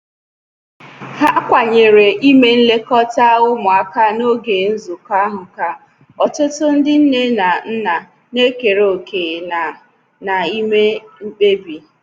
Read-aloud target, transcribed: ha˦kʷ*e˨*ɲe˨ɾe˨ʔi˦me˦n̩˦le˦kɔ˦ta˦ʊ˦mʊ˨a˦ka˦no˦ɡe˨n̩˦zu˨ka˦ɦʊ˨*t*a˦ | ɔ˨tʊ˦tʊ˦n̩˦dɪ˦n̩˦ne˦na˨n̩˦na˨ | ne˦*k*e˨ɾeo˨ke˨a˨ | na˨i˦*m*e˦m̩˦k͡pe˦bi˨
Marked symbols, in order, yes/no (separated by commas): no, no, yes, yes